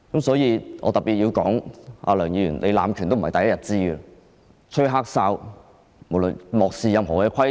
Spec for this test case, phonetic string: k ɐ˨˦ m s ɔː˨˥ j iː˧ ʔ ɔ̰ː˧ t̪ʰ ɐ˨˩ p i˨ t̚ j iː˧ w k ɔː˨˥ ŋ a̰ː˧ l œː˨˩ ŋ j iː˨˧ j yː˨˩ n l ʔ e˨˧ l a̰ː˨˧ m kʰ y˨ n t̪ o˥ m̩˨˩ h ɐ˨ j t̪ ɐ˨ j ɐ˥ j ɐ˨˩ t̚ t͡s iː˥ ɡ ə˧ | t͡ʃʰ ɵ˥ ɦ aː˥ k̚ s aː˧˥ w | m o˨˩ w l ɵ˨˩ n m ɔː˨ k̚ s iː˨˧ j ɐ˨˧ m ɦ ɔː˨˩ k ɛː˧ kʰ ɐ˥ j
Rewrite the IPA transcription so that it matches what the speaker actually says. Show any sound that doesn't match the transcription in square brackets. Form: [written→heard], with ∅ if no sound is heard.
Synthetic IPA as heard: k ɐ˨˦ m s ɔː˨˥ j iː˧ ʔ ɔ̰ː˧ [t̪ʰ→t̪] ɐ˨˩ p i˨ t̚ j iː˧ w k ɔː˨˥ ŋ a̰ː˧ l œː˨˩ ŋ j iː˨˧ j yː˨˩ n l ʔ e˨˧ l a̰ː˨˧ m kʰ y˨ n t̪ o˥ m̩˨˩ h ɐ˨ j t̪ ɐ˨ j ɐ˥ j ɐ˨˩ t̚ t͡s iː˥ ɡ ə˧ | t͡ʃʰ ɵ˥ ɦ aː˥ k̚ s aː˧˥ w | m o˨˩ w l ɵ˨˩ n m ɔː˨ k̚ s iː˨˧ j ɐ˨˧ m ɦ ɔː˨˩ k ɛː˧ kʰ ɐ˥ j